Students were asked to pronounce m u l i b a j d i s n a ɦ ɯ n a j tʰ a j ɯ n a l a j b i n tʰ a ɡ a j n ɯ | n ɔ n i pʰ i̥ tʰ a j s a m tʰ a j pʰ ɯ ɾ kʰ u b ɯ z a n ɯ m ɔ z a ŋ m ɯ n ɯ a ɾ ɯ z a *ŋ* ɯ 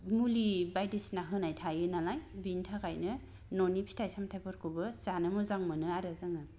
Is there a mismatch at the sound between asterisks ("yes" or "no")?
no